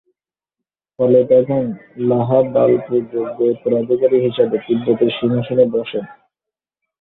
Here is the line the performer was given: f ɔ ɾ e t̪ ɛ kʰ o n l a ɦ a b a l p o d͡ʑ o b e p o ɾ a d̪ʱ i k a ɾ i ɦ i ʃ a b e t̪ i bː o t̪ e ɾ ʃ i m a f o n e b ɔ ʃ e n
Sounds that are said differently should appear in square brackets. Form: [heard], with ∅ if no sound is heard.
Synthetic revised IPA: f ɔ [l] e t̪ ɛ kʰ o n l a ɦ a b a l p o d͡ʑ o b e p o ɾ a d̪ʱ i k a ɾ i ɦ i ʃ a b e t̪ i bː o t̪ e ɾ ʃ i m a [ʃ] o n e b ɔ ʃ e n